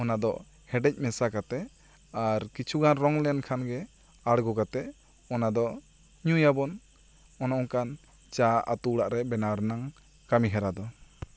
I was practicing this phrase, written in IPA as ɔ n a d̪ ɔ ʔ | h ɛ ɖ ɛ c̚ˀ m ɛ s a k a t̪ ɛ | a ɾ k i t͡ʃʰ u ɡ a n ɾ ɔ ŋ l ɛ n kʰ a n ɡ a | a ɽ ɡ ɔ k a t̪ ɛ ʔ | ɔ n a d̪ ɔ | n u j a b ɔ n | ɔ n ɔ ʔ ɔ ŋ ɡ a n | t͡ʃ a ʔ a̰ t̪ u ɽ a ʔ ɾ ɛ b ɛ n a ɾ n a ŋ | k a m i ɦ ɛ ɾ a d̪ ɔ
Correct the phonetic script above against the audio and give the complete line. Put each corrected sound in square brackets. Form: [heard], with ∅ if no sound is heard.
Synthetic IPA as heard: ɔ n a d̪ ɔ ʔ | h ɛ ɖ ɛ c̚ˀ m ɛ s a k a t̪ ɛ | a ɾ k i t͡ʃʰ u ɡ a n ɾ ɔ ŋ l ɛ n kʰ a n ɡ [ɛ] | a ɽ ɡ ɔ k a t̪ ɛ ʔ | ɔ n a d̪ ɔ | [ɲ] u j a b ɔ n | ɔ n ɔ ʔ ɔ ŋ [k] a n | t͡ʃ a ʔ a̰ t̪ u ɽ a ʔ ɾ ɛ b ɛ n a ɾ n a ŋ | k a m i ɦ ɛ ɾ a d̪ ɔ

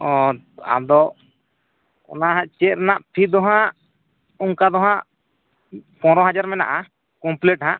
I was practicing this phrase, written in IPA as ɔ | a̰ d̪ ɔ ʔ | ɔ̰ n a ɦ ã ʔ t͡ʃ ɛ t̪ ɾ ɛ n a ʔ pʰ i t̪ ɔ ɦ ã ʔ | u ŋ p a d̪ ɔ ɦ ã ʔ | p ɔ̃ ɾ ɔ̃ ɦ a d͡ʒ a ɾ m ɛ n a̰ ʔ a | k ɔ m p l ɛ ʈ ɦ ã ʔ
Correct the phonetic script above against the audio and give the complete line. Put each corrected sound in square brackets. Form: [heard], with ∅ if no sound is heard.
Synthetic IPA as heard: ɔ | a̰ d̪ ɔ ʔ | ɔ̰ n a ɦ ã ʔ t͡ʃ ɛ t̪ ɾ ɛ n a ʔ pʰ i [d̪] ɔ ɦ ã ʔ | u ŋ [k] a d̪ ɔ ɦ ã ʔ | p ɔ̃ ɾ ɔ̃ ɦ a d͡ʒ a ɾ m ɛ n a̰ ʔ a | k ɔ m p l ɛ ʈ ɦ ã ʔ

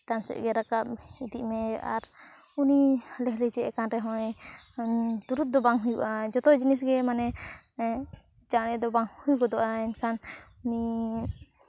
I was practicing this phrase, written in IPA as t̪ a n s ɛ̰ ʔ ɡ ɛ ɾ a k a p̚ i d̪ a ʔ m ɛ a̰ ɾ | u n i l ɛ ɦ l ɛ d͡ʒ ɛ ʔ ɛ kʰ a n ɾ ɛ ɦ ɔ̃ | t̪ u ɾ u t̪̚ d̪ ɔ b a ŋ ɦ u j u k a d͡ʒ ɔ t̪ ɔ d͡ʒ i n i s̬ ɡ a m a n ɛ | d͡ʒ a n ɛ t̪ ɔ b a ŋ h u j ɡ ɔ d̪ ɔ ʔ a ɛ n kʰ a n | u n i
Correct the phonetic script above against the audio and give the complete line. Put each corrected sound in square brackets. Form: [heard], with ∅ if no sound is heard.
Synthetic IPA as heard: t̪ a n s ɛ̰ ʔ ɡ ɛ ɾ a k a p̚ i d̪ [i] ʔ m ɛ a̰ ɾ | u n i l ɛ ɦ l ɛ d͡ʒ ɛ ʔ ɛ [k] a n ɾ ɛ ɦ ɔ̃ | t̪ u ɾ u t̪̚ d̪ ɔ b a ŋ ɦ u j u [ʔ] a d͡ʒ ɔ t̪ ɔ d͡ʒ i n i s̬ ɡ [ɛ] m a n ɛ | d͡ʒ a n ɛ [d̪] ɔ b a ŋ h u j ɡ ɔ d̪ ɔ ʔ a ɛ n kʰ a n | u n i

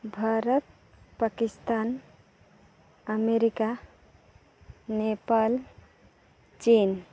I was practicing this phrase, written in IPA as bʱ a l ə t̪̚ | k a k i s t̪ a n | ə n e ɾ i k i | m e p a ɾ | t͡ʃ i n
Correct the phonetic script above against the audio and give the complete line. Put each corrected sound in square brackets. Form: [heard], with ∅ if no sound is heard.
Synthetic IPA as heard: bʱ a [ɾ] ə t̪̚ | [p] a k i s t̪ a n | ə [m] e ɾ i k [a] | [n] e p a [l] | t͡ʃ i n

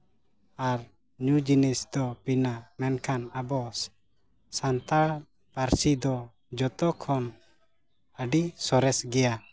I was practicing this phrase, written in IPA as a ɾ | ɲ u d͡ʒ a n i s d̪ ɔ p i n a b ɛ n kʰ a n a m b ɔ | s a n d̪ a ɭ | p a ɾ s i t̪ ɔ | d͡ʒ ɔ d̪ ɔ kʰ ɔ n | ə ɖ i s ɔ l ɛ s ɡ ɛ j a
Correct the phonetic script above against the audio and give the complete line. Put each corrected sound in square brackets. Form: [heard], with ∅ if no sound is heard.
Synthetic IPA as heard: a ɾ | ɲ u d͡ʒ [i] n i s d̪ ɔ p i n a [m] ɛ n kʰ a n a [∅] b ɔ | s a n [t̪] a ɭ | p a ɾ s i [d̪] ɔ | d͡ʒ ɔ [t̪] ɔ kʰ ɔ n | ə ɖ i s ɔ [ɾ] ɛ s ɡ ɛ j a

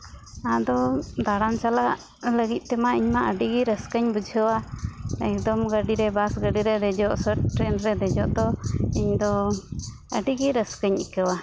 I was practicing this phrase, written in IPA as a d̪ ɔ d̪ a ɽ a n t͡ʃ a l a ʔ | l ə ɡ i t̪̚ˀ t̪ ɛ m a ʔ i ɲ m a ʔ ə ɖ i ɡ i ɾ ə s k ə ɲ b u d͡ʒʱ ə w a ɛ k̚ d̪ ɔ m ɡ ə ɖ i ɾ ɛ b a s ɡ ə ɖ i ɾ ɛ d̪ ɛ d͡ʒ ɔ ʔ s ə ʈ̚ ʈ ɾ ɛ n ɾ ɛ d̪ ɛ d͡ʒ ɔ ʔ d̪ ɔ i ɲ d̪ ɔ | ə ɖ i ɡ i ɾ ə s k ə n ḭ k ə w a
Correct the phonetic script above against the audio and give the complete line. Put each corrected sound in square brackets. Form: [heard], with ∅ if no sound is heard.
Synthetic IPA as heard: a d̪ ɔ d̪ a ɽ a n t͡ʃ a l a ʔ | l ə ɡ i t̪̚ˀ t̪ ɛ m a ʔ i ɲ m a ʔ ə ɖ i ɡ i ɾ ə s k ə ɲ b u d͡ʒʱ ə w a ɛ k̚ d̪ ɔ m ɡ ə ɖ i ɾ ɛ b a s ɡ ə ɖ i ɾ ɛ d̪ ɛ d͡ʒ ɔ ʔ s ə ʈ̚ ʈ ɾ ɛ n ɾ ɛ d̪ ɛ d͡ʒ ɔ ʔ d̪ ɔ i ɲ d̪ ɔ | ə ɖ i ɡ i ɾ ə s k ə [ɲ] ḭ k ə w a

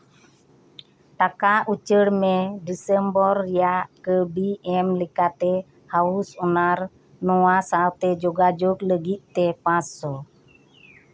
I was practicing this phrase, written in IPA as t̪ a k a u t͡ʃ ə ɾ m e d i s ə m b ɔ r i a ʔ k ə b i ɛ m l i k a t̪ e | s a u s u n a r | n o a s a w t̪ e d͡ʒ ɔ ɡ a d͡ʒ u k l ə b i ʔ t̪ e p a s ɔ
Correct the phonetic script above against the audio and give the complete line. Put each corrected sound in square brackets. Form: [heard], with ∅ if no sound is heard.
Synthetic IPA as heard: t̪ a k a u t͡ʃ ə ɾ m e d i s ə m b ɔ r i a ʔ k ə b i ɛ m l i k a t̪ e | [h] a u s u n a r | n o a s a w t̪ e d͡ʒ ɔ ɡ a d͡ʒ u k l ə [ɡ] i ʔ t̪ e p a s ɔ

